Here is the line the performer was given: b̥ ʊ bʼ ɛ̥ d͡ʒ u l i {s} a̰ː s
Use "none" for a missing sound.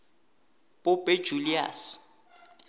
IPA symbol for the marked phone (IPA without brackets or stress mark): none